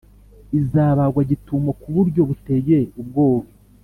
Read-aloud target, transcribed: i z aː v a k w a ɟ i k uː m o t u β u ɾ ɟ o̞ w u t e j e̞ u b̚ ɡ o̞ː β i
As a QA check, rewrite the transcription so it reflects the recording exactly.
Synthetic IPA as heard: i z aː β a ɡ w a ɟ i t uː m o k u β u ɾ ɟ o̞ β u t e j e̞ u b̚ ɡ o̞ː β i

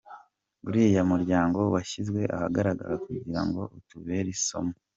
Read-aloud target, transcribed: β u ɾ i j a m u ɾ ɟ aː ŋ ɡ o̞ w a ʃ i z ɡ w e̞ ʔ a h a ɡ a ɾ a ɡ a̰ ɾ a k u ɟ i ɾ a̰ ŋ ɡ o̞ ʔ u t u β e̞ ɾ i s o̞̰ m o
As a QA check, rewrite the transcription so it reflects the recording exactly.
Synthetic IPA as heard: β u ɾ i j a m u ɾ ɟ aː ŋ ɡ o̞ w a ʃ i z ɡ w e̞ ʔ a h a ɡ a ɾ a ɡ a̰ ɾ a k u ɟ i ɾ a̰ ŋ ɡ o̞ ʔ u t u β e̞ ɾ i s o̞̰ m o

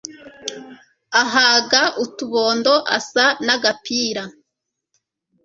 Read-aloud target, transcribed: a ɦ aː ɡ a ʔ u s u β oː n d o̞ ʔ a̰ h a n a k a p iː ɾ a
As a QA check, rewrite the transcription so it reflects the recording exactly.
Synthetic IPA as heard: a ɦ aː ɡ a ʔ u t u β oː n d o̞ ʔ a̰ s a n a ɡ a p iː ɾ a

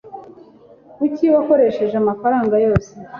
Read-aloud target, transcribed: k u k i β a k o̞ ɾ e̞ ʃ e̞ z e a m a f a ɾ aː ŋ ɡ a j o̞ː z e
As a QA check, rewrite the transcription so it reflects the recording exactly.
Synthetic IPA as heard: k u c i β a k o̞ ɾ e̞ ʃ e̞ ʒ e a m a f a ɾ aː ŋ ɡ a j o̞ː s e

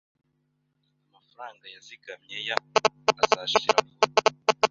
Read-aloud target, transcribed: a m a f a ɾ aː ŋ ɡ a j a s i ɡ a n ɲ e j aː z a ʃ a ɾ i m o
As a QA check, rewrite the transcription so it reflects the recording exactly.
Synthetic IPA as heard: a m a f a ɾ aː ŋ ɡ a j a z i ɡ a m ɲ e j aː z a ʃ i ɾ a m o

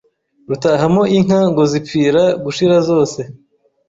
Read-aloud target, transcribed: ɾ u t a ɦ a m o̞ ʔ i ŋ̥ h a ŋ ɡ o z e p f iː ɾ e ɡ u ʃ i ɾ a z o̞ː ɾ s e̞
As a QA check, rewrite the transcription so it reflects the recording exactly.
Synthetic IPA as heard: ɾ u t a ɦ a m o̞ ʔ i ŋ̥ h a ŋ ɡ o z i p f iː ɾ a ɡ u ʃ i ɾ a z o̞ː s e̞

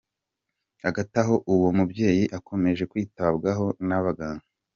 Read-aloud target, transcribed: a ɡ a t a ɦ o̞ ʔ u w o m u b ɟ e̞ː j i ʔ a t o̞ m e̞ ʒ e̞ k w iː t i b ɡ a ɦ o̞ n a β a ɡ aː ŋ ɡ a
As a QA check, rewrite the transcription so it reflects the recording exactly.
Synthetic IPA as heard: a ɡ a t a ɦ o̞ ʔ u w o m u b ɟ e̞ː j i ʔ a k o̞ m e̞ ʒ e̞ k w iː t a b ɡ a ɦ o̞ n a β a ɡ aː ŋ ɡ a

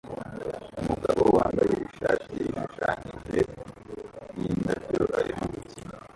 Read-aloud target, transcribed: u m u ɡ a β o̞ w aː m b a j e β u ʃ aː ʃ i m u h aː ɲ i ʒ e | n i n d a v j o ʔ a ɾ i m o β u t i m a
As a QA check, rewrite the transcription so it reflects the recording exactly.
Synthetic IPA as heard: u m u ɡ a β o̞ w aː m b a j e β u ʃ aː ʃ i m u ʃ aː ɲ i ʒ e | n i n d a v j o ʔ a ɾ i m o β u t i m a

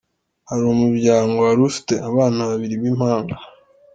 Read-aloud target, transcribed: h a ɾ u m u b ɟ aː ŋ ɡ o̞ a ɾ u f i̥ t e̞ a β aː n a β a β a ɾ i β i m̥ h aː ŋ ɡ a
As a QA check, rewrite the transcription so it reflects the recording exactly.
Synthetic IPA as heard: h a ɾ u m u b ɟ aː ŋ ɡ o̞ a ɾ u f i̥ t e̞ a β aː n a β a β i ɾ i β i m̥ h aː ŋ ɡ a

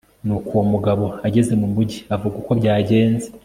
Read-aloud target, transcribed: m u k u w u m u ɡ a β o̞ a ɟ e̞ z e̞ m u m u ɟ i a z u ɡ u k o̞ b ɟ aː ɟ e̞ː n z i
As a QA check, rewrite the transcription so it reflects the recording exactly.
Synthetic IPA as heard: n u k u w o m u ɡ a β o̞ a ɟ e̞ z e̞ m u m u ɟ i a v u ɡ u k o̞ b ɟ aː ɟ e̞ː n z e

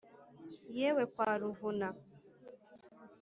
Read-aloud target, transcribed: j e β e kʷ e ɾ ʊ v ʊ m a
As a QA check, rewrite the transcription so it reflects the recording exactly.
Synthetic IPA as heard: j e w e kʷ a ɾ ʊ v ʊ n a

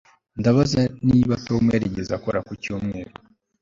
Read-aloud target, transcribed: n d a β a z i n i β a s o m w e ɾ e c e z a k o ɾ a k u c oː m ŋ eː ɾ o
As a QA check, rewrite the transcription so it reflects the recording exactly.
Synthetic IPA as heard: n d a β a z a n i β a t o m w e ɾ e ɟ e z a k o ɾ a k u c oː m ŋ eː ɾ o

